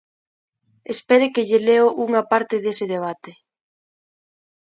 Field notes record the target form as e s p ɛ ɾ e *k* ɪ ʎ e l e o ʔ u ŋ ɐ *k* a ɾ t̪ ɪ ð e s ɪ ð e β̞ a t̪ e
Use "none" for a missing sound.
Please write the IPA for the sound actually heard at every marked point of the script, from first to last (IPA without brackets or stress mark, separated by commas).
k, p